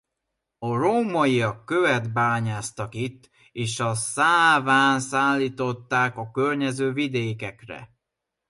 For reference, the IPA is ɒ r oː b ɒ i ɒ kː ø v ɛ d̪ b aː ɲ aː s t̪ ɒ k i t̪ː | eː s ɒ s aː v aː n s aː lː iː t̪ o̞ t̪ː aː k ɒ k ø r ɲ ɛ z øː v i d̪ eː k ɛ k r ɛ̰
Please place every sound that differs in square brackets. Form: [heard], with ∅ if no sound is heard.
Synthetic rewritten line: ɒ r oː [m] ɒ i ɒ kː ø v ɛ d̪ b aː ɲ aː s t̪ ɒ k i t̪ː | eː [ʃ] ɒ s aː v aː n s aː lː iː t̪ o̞ t̪ː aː k ɒ k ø r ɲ ɛ z øː v i d̪ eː k ɛ k r ɛ̰

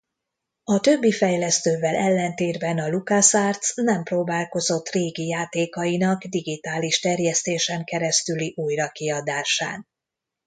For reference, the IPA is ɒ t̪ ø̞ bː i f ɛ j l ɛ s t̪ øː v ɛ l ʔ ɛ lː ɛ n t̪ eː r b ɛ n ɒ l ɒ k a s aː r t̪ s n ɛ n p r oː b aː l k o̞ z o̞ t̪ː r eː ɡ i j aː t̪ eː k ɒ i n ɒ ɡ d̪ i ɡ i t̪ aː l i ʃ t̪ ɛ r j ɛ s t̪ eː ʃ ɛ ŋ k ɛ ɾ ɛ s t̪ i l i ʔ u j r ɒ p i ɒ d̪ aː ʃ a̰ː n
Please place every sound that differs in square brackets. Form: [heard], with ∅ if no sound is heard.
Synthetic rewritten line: ɒ t̪ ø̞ bː i f ɛ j l ɛ s t̪ øː v ɛ l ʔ ɛ lː ɛ n t̪ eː r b ɛ n ɒ l [u] k a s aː r t̪ s n ɛ [m] p r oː b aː l k o̞ z o̞ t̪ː r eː ɡ i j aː t̪ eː k ɒ i n ɒ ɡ d̪ i ɡ i t̪ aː l i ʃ t̪ ɛ r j ɛ s t̪ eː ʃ ɛ ŋ k ɛ ɾ ɛ s t̪ [y] l i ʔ u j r ɒ [k] i ɒ d̪ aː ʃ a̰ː n

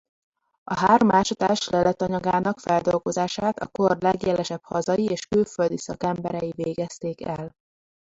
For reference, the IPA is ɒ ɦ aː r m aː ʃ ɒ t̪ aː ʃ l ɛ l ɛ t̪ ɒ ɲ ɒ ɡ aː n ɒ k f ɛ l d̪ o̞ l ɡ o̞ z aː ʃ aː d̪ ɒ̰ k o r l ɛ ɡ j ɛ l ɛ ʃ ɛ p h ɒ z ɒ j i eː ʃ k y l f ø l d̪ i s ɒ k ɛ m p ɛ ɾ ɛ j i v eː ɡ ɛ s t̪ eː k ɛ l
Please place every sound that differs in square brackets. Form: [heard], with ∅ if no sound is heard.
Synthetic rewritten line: ɒ ɦ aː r m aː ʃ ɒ t̪ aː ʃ l ɛ l ɛ t̪ ɒ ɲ ɒ ɡ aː n ɒ k f ɛ l d̪ o̞ l ɡ o̞ z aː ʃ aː [t̪] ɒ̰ k o r l ɛ ɡ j ɛ l ɛ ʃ ɛ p h ɒ z ɒ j i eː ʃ k y l f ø l d̪ i s ɒ k ɛ m [b] ɛ ɾ ɛ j i v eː ɡ ɛ s t̪ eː k ɛ l

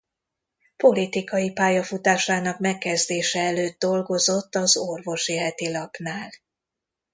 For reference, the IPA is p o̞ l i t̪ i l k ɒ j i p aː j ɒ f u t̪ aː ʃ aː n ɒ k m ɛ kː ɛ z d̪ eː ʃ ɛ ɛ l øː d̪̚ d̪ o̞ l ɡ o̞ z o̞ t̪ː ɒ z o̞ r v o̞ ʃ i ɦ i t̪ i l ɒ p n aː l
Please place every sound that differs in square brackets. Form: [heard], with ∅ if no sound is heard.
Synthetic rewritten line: p o̞ l i t̪ i [∅] k ɒ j i p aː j ɒ f u t̪ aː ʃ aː n ɒ k m ɛ kː ɛ z d̪ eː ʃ ɛ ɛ l øː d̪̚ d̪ o̞ l ɡ o̞ z o̞ t̪ː ɒ z o̞ r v o̞ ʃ i ɦ [ɛ] t̪ i l ɒ p n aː l

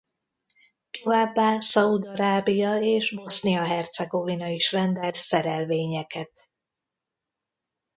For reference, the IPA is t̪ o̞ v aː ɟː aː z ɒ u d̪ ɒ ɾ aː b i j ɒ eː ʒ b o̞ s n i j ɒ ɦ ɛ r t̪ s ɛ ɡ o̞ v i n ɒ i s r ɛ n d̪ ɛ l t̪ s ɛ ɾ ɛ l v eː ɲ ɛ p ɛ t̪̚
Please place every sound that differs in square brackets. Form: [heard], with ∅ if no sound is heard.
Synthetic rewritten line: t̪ o̞ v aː [bː] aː [s] ɒ u d̪ ɒ ɾ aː b i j ɒ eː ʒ b o̞ s n i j ɒ ɦ ɛ r t̪ s ɛ ɡ o̞ v i n ɒ i [ʃ] r ɛ n d̪ ɛ l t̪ s ɛ ɾ ɛ l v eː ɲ ɛ [k] ɛ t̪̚

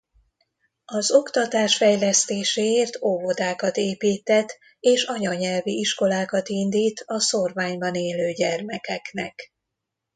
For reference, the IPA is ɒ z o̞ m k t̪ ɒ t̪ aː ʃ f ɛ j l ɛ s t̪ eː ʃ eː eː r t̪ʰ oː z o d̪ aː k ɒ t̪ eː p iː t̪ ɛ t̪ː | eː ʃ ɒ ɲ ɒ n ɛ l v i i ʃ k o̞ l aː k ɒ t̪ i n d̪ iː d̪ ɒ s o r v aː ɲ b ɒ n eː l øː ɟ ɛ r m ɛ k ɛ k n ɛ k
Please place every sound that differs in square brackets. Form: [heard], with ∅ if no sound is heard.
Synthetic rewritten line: ɒ z o̞ [∅] k t̪ ɒ t̪ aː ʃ f ɛ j l ɛ s t̪ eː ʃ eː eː r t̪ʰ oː [v] o d̪ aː k ɒ t̪ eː p iː t̪ ɛ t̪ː | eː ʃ ɒ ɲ ɒ [ɲ] ɛ l v i i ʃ k o̞ l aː k ɒ t̪ i n d̪ iː [t̪] ɒ s o r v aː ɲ b ɒ n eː l øː ɟ ɛ r m ɛ k ɛ k n ɛ k

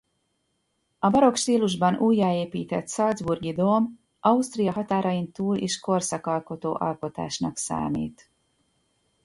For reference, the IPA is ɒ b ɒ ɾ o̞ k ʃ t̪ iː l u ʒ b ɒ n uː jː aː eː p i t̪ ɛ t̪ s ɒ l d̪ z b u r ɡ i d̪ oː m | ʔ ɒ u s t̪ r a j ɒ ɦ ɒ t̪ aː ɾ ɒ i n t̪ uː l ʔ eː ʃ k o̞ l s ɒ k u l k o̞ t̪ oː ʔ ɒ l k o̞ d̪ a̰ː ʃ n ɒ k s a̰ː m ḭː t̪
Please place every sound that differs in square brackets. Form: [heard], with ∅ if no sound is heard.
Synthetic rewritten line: ɒ b ɒ ɾ o̞ k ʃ t̪ iː l u ʒ b ɒ n uː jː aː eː p [iː] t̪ ɛ t̪ s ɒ l d̪ z b u r ɡ i d̪ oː m | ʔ ɒ u s t̪ r [i] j ɒ ɦ ɒ t̪ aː ɾ ɒ i n t̪ uː l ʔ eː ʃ k o̞ [r] s ɒ k [ɒ] l k o̞ t̪ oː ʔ ɒ l k o̞ [t̪] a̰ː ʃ n ɒ k s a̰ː m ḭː t̪

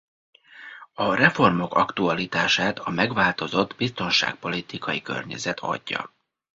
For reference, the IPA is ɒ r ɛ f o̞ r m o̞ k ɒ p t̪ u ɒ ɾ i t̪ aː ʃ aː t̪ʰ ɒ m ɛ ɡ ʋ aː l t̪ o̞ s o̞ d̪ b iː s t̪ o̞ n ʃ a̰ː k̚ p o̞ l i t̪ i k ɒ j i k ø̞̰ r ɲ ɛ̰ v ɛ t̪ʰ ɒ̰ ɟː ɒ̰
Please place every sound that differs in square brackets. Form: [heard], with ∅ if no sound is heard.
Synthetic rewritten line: ɒ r ɛ f o̞ r m o̞ k ɒ [k] t̪ u ɒ [l] i t̪ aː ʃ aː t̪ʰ ɒ m ɛ ɡ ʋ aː l t̪ o̞ [z] o̞ d̪ b [i] s t̪ o̞ n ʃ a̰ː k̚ p o̞ l i t̪ i k ɒ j i k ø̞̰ r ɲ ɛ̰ [z] ɛ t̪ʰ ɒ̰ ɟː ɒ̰

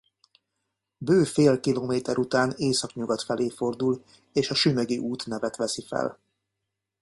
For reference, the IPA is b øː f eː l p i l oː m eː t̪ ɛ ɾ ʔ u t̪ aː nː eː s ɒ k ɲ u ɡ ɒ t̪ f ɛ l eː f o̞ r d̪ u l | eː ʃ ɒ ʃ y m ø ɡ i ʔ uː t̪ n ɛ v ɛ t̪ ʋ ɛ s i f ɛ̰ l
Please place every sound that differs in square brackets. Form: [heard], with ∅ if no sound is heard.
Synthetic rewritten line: b øː f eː l [k] i l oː m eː t̪ ɛ ɾ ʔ u t̪ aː [n] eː s ɒ k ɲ u ɡ ɒ t̪ f ɛ l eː f o̞ r d̪ u l | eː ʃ ɒ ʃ y m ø ɡ i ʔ uː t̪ n ɛ v ɛ t̪ ʋ ɛ s i f ɛ̰ l

